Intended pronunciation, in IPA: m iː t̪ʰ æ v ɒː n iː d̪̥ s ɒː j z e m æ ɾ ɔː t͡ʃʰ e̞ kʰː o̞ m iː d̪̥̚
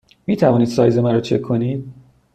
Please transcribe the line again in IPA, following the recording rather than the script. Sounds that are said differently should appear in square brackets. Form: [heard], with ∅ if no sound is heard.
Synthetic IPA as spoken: m iː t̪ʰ æ v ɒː n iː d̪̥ s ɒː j z e m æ ɾ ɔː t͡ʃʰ e̞ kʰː o̞ [n] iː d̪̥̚